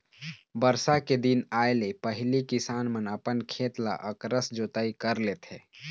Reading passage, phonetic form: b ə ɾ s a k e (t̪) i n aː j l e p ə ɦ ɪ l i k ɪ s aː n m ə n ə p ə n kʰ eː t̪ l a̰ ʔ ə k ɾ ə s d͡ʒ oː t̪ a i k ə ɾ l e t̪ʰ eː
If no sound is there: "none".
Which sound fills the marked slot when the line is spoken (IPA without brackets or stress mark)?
d̪